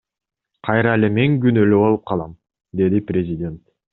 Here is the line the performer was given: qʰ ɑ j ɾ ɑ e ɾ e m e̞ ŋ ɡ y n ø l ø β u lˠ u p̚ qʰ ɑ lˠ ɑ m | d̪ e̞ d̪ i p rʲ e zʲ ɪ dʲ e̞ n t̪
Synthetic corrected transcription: qʰ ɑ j ɾ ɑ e l e m e̞ ŋ ɡ y n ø l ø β o lˠ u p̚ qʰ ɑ lˠ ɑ m | d̪ e̞ d̪ i p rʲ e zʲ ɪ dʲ e̞ n t̪

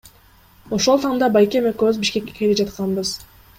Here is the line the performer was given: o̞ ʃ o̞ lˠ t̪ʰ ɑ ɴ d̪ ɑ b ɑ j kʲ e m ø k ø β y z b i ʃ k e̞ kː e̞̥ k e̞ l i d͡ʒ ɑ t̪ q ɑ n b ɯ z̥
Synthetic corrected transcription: o̞ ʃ o̞ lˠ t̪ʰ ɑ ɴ d̪ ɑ b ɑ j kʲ e m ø k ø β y z b i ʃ k e̞ kː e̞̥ k e̞ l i d͡ʒ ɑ t̪ q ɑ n b ɯ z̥

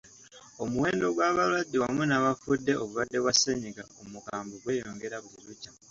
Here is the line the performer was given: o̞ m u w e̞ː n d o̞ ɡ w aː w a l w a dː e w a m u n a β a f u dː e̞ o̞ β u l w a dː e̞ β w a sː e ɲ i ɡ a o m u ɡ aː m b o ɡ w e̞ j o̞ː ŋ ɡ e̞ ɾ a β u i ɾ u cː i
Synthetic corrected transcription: o̞ m u w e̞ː n d o̞ ɡ w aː β a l w a dː e w a m u n a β a f u dː e̞ o̞ β u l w a dː e̞ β w a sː e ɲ i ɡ a o m u k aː m b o ɡ w e̞ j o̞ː ŋ ɡ e̞ ɾ a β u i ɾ u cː a

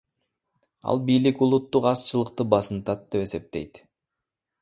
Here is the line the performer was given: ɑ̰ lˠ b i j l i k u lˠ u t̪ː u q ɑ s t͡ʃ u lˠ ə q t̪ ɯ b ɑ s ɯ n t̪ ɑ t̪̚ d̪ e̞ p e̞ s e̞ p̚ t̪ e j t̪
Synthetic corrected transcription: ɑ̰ lˠ b i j l i k u lˠ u t̪ː u q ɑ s t͡ʃ ɯ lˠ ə q t̪ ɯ b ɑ s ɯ n t̪ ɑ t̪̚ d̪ e̞ p e̞ s e̞ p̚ t̪ e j t̪

